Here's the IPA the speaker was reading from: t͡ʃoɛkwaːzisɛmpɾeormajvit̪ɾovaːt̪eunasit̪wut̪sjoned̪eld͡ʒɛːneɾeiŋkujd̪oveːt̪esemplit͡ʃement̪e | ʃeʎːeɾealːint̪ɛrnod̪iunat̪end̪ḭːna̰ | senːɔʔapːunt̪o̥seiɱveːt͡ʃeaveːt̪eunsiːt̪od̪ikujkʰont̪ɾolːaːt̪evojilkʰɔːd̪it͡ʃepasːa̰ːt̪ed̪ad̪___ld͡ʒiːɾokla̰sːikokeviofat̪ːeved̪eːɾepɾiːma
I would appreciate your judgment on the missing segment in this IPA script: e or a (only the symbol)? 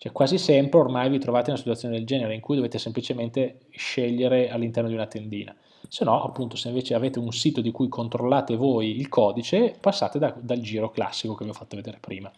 a